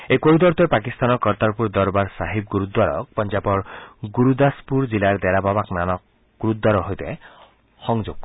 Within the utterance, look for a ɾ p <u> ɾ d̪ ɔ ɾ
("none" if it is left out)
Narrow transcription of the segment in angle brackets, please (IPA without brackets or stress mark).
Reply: u